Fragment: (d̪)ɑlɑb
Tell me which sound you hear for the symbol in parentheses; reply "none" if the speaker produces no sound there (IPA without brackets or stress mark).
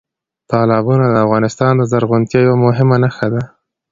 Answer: t̪